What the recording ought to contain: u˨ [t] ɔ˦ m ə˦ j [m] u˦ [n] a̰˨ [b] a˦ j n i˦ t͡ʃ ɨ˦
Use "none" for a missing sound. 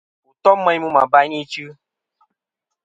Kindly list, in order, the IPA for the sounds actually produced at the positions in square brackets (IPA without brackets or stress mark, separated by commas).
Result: t, m, m, b